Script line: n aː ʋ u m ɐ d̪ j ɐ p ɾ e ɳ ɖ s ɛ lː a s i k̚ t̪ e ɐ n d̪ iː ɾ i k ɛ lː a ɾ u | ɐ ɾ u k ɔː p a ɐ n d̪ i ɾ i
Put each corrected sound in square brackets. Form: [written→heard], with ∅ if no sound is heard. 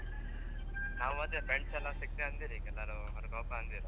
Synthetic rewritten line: n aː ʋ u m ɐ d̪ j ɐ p ɾ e ɳ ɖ s ɛ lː a s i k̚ t̪ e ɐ n d̪ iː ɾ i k ɛ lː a ɾ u | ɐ ɾ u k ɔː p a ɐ n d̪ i ɾ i